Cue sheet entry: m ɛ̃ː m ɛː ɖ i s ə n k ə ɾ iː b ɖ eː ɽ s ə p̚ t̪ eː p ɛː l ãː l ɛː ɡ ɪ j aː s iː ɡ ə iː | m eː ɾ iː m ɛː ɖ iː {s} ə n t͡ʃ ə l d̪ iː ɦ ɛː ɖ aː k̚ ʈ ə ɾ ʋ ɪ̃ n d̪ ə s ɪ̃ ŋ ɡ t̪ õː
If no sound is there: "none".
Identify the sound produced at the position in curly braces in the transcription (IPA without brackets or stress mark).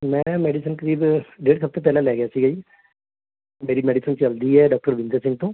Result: s